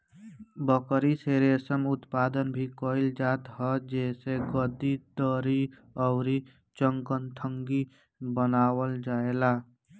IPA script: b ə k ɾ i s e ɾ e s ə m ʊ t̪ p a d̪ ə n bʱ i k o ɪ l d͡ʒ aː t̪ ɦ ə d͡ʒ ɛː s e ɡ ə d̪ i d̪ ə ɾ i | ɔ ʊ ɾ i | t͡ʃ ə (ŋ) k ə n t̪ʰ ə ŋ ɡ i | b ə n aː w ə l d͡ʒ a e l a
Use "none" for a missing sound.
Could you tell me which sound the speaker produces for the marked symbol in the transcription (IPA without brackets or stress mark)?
ŋ